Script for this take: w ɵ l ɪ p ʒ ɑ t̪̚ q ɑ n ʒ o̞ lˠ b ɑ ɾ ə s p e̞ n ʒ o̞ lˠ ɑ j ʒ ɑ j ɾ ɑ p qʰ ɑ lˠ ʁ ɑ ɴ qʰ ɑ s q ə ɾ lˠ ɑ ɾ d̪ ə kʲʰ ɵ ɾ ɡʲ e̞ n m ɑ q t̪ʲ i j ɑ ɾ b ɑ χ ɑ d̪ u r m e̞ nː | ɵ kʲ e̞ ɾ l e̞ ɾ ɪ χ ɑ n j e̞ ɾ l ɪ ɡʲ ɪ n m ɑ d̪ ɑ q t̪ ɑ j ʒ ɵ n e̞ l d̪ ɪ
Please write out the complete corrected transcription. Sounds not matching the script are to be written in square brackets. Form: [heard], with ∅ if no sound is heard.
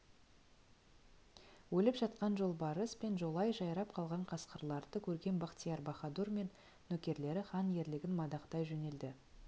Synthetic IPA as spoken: w ɵ l ɪ p ʒ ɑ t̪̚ q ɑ n ʒ o̞ lˠ b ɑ ɾ ə s p e̞ n ʒ o̞ lˠ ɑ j ʒ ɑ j ɾ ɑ p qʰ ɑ lˠ ʁ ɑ ɴ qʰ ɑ s q ə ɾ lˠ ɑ ɾ d̪ ə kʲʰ ɵ ɾ ɡʲ e̞ n [b] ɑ q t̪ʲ i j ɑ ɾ b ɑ χ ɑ d̪ u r m e̞ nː | ɵ kʲ e̞ ɾ l e̞ ɾ ɪ χ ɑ n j e̞ ɾ l ɪ ɡʲ ɪ n m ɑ d̪ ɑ q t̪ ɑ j ʒ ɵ n e̞ l d̪ ɪ

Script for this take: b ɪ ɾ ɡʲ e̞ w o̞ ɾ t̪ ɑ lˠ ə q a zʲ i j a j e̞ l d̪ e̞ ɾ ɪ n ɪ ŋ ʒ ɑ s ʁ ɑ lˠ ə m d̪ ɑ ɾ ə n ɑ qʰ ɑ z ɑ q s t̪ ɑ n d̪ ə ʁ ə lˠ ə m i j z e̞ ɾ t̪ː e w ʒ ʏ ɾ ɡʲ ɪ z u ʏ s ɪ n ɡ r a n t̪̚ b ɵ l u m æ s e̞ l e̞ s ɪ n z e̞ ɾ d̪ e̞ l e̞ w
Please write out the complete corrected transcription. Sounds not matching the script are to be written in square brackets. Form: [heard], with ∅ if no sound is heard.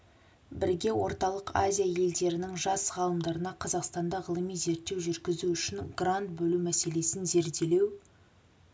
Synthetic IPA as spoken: b ɪ ɾ ɡʲ e̞ w o̞ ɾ t̪ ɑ lˠ ə q a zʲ i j a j e̞ l d̪ e̞ ɾ ɪ n ɪ ŋ ʒ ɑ s ʁ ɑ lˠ ə m d̪ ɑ ɾ ə n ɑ qʰ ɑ z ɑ q s t̪ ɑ n d̪ [ɑ] ʁ ə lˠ ə m i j z e̞ ɾ t̪ː e w ʒ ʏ ɾ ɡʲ ɪ z u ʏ [ʃ] ɪ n ɡ r a n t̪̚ b ɵ l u m æ s e̞ l e̞ s ɪ n z e̞ ɾ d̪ e̞ l e̞ w

